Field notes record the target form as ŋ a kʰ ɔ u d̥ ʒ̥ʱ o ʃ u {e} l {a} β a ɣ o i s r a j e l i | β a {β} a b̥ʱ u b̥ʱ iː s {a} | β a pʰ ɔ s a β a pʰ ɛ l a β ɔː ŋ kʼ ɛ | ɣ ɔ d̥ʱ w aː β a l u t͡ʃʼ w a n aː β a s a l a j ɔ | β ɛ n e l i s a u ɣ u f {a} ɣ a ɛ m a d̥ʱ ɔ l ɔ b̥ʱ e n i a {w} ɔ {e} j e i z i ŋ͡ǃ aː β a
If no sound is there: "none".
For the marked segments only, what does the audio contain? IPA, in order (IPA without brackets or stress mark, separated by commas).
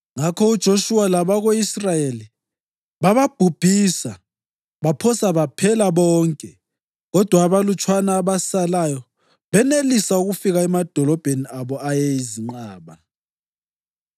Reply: a, a, β, a, i, β, a